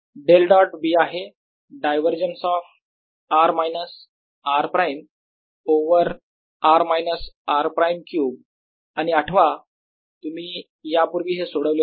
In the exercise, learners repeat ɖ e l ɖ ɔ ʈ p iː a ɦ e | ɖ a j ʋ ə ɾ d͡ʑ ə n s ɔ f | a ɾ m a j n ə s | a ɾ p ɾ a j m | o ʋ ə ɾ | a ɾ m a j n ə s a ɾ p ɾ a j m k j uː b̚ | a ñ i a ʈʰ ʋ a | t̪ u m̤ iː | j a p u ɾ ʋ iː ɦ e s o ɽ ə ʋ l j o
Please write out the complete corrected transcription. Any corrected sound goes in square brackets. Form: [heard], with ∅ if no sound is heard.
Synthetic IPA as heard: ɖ e l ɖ ɔ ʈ [b] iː a ɦ e | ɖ a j ʋ ə ɾ d͡ʑ ə n s ɔ f | a ɾ m a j n ə s | a ɾ p ɾ a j m | o ʋ ə ɾ | a ɾ m a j n ə s a ɾ p ɾ a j m k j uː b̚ | a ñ i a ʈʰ ʋ a | t̪ u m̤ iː | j a p u ɾ ʋ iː ɦ e s o ɽ ə ʋ l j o